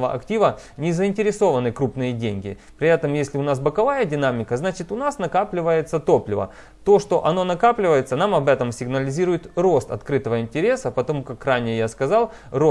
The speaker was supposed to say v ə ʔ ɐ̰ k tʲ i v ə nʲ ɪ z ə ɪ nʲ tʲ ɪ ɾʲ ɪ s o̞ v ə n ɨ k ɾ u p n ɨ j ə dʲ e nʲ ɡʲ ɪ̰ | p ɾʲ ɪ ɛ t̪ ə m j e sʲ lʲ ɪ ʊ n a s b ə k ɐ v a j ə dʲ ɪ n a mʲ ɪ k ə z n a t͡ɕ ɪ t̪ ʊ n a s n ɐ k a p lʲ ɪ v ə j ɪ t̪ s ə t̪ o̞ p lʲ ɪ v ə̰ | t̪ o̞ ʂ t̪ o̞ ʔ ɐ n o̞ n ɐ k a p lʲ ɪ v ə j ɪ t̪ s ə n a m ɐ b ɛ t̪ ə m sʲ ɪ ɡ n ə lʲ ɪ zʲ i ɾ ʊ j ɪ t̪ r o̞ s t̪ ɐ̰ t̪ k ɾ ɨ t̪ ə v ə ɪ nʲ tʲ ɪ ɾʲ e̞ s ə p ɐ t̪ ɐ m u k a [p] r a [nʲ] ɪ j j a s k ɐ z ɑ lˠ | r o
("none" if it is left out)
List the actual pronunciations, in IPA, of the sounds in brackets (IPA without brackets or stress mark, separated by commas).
k, nʲ